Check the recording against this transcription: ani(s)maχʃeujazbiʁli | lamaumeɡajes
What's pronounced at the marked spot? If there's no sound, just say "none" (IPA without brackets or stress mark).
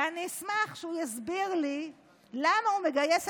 s